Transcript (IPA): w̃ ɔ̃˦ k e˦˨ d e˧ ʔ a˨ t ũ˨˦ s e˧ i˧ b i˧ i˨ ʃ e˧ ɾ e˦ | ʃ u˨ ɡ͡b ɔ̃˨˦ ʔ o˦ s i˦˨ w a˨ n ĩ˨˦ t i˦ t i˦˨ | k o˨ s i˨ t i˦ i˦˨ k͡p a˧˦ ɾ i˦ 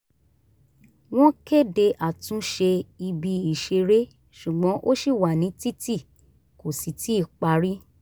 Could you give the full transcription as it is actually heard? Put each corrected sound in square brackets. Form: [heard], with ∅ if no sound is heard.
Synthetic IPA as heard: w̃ ɔ̃˦ k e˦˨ d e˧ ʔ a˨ t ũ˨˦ [ʃ] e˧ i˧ b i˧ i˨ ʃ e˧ ɾ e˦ | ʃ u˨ ɡ͡b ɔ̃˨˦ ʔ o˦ [ʃ] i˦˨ w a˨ n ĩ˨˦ t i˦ t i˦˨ | k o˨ s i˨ t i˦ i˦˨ k͡p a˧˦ ɾ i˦